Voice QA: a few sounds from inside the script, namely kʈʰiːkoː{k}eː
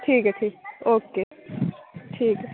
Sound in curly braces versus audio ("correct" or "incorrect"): correct